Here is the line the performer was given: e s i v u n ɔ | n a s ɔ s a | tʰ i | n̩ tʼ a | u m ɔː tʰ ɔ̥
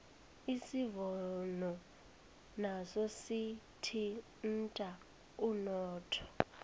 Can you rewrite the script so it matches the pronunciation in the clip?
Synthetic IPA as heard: i s i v ɔ n ɔ | n a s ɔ s i | tʰ i | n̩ tʼ a | u n ɔː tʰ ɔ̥